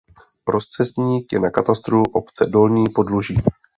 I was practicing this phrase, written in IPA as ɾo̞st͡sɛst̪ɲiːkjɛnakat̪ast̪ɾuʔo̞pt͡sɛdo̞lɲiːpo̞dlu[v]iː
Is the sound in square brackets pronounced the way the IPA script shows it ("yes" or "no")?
no